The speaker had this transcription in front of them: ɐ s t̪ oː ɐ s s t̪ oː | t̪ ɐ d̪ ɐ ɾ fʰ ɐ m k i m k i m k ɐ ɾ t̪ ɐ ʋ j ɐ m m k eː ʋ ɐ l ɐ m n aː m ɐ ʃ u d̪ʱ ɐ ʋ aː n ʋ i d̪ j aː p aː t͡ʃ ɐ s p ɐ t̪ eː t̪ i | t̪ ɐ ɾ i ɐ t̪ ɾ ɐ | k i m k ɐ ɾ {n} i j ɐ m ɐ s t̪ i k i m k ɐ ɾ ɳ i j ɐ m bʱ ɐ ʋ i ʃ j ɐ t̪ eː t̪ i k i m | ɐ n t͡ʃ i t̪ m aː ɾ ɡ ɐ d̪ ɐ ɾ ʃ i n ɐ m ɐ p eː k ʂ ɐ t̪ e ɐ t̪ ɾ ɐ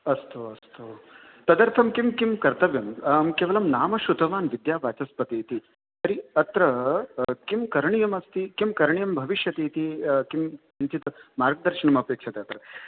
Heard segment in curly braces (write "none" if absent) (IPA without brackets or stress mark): ɳ